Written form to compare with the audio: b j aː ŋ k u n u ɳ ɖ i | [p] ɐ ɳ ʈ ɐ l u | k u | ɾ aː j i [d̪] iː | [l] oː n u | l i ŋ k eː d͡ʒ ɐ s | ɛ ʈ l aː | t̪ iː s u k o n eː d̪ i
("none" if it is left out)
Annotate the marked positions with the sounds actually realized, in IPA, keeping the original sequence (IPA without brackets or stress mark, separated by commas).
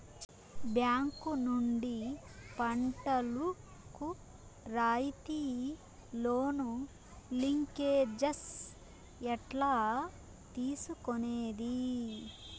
p, t̪, l